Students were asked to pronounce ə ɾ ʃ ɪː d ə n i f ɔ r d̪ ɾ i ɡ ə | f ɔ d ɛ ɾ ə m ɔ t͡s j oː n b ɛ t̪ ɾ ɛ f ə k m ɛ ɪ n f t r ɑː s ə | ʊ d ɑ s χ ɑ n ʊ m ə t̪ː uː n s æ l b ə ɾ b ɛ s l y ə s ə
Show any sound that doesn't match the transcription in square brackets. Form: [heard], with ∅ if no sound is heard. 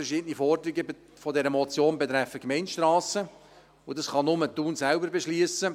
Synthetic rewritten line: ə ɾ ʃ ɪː d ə n i f ɔ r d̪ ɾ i ɡ ə | f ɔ d ɛ ɾ ə m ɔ t͡s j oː n b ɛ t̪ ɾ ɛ f ə k m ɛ ɪ n [ʃ] t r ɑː s ə | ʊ d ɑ s χ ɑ n ʊ m ə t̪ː uː n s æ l b ə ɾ b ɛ [ʃ] l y ə s ə